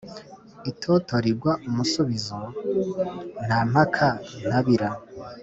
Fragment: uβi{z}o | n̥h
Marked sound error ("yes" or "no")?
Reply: no